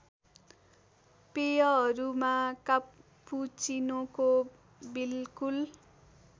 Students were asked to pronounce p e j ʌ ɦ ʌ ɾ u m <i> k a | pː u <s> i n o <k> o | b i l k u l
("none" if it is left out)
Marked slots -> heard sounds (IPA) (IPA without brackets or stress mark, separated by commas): a, t͡s, k